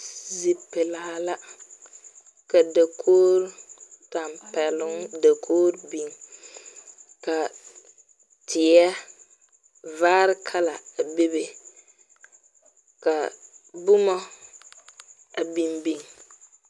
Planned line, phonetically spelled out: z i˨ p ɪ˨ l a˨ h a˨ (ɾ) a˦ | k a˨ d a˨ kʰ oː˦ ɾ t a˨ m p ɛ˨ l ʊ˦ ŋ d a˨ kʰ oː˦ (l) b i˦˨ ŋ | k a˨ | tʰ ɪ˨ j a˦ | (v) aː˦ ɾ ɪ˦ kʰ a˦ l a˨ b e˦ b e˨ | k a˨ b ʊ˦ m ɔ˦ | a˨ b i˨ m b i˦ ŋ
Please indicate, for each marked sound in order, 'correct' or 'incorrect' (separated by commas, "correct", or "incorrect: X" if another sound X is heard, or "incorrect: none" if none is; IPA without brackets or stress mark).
incorrect: l, incorrect: ɾ, correct